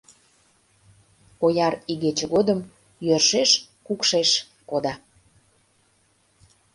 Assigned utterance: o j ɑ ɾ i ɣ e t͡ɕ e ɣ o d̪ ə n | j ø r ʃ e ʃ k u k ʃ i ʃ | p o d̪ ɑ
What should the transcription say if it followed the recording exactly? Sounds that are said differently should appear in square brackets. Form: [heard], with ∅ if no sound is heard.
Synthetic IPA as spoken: o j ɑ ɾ i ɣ e t͡ɕ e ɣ o d̪ ə [m] | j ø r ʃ e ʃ k u k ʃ [e] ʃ | [k] o d̪ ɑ